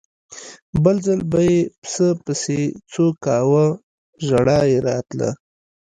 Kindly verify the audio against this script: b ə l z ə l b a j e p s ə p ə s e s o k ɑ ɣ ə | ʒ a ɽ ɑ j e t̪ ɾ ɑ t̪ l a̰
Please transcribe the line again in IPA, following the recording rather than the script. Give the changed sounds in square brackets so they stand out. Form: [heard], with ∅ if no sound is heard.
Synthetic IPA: b ə l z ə l b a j e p s ə p ə s e [t͡s] o k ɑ [w] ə | ʒ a ɽ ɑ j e [∅] ɾ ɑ t̪ l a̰